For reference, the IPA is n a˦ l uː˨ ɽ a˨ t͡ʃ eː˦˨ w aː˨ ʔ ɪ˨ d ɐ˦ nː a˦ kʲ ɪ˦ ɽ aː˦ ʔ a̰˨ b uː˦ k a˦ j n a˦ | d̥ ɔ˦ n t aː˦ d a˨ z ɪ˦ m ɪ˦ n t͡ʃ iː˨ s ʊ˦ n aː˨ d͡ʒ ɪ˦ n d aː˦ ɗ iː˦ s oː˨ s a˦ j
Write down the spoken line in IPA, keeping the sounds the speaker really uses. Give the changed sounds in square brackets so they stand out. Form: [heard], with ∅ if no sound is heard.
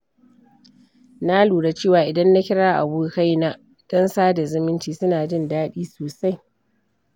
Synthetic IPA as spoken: n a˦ l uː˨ ɽ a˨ t͡ʃ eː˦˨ w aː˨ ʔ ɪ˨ d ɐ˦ nː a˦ kʲ ɪ˦ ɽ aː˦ ʔ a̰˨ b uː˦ k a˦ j n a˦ | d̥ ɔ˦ n [s] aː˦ d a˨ z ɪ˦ m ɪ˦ n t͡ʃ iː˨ s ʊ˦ n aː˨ d͡ʒ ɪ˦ n d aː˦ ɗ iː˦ s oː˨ s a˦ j

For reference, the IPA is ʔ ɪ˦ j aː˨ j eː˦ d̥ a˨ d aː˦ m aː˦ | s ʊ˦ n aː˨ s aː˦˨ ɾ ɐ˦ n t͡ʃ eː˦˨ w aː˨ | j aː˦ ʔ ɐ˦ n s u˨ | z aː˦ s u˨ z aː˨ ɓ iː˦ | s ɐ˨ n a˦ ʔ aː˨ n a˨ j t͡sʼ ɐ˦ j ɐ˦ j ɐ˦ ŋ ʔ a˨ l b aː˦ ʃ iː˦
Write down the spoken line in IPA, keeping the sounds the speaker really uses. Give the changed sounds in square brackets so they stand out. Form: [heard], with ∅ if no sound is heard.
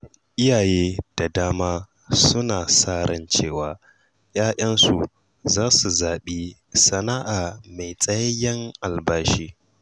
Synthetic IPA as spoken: ʔ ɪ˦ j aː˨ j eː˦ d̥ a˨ d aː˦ m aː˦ | s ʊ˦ n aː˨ s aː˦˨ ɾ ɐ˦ n t͡ʃ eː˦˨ w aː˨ | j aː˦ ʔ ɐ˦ n s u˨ | z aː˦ s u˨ z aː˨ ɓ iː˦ | s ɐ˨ n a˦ ʔ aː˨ [m] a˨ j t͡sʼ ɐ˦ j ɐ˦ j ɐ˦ ŋ ʔ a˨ l b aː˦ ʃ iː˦

